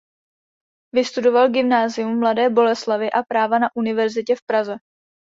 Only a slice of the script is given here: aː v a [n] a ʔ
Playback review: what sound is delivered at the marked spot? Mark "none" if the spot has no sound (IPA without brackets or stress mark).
n